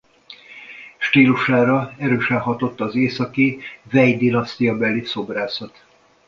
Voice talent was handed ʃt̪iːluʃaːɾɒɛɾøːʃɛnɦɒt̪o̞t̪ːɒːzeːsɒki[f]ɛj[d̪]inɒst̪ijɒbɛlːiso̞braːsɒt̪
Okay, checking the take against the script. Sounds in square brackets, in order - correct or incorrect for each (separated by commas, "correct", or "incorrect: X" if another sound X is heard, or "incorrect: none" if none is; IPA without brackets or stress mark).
incorrect: v, correct